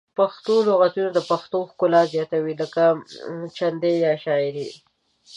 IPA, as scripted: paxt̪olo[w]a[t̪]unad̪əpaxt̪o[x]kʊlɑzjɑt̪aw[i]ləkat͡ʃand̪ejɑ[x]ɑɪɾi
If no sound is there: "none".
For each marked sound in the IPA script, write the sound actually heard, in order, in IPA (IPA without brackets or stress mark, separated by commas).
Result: ɣ, t̪, x, i, ʃ